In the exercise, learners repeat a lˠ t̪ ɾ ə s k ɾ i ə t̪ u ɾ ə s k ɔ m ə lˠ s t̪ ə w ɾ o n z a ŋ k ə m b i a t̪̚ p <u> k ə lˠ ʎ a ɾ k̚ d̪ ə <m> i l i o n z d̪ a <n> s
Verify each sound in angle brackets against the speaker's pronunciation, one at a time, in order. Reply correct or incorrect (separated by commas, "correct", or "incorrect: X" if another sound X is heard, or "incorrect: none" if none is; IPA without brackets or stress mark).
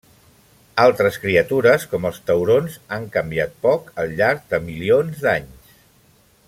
incorrect: ɔ, correct, incorrect: ɲ